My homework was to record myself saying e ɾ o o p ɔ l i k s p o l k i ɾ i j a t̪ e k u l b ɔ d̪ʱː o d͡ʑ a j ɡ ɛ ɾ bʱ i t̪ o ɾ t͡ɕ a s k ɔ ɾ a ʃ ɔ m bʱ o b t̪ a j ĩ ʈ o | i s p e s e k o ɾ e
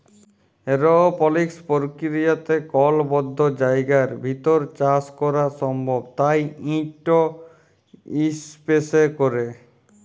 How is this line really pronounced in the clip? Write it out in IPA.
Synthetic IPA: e ɾ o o p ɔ l i k s p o ɾ k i ɾ i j a t̪ e k ɔ l b ɔ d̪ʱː o d͡ʑ a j ɡ a ɾ bʱ i t̪ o ɾ t͡ɕ a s k ɔ ɾ a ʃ ɔ m bʱ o b t̪ a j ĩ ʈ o | i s p e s e k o ɾ e

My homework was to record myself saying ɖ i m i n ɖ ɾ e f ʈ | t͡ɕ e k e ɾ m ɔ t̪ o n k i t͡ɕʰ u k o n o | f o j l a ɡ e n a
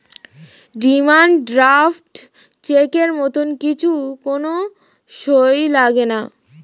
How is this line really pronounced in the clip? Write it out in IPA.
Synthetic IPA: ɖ i m a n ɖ ɾ a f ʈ | t͡ɕ e k e ɾ m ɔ t̪ o n k i t͡ɕʰ u k o n o | ʃ o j l a ɡ e n a

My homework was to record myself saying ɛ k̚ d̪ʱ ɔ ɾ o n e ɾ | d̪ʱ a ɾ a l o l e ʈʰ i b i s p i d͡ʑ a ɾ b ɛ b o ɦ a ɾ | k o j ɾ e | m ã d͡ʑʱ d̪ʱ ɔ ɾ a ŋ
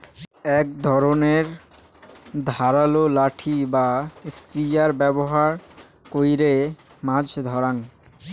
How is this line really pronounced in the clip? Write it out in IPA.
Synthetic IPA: ɛ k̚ d̪ʱ ɔ ɾ o n e ɾ | d̪ʱ a ɾ a l o l a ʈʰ i b a s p i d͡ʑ a ɾ b ɛ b o ɦ a ɾ | k o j ɾ e | m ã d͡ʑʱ d̪ʱ ɔ ɾ a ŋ

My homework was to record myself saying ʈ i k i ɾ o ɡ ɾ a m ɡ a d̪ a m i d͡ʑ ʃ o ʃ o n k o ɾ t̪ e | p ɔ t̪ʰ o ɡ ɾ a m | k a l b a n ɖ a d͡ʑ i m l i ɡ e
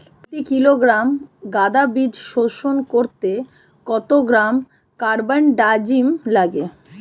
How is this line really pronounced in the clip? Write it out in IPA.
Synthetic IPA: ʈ i k i l o ɡ ɾ a m ɡ a d̪ a b i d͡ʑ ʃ o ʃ o n k o ɾ t̪ e | k ɔ t̪ o ɡ ɾ a m | k a ɾ b a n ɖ a d͡ʑ i m l a ɡ e

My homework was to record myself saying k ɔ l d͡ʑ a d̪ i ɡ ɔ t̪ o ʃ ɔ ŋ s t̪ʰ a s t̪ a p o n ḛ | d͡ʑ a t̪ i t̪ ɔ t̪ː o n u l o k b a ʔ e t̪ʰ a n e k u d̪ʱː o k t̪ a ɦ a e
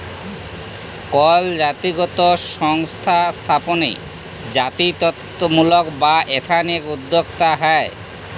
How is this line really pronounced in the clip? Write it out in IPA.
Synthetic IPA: k ɔ l d͡ʑ a t̪ i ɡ ɔ t̪ o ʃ ɔ ŋ s t̪ʰ a s t̪ʰ a p o n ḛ | d͡ʑ a t̪ i t̪ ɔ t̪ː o m u l o k b a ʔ e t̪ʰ a n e k u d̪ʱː o k t̪ a ɦ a e

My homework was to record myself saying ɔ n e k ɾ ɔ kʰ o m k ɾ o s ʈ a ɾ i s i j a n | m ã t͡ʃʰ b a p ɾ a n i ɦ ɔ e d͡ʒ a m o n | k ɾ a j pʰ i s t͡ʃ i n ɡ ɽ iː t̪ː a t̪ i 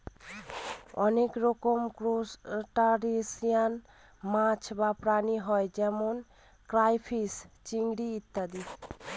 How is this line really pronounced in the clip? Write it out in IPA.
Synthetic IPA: ɔ n e k ɾ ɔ k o m k ɾ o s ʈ a ɾ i s i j a n | m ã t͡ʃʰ b a p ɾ a n i ɦ ɔ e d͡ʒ ɛ m o n | k ɾ a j pʰ i s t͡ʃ i ŋ ɡ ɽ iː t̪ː a d̪ i

